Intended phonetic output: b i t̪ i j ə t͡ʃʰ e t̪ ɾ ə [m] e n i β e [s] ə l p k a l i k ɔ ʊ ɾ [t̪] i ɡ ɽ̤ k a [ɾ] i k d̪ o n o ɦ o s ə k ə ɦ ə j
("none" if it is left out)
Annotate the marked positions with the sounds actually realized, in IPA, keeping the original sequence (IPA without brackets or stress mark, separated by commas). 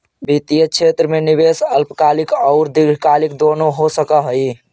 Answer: m, s, d̪, l